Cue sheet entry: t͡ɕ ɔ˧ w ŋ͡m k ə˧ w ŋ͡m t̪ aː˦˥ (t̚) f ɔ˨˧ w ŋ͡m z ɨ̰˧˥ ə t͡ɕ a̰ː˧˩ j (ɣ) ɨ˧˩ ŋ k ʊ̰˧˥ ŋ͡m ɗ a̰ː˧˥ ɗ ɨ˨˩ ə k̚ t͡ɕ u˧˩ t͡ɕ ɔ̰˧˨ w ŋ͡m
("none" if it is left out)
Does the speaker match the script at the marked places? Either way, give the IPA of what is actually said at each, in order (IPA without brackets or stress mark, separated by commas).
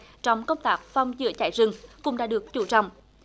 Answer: k̚, z